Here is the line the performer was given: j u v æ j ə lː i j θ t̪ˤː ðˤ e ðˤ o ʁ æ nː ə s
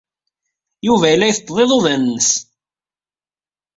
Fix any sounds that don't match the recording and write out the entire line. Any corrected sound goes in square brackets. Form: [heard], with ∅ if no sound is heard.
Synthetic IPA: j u v æ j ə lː [æ] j θ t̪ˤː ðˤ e ðˤ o [ð] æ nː ə s